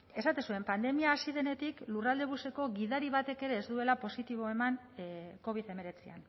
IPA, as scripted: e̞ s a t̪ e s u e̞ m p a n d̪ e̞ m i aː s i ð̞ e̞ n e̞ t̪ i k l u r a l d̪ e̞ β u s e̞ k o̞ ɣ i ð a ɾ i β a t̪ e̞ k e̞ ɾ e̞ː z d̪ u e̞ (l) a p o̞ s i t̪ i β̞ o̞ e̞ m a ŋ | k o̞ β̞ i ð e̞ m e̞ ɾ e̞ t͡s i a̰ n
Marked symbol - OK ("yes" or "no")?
yes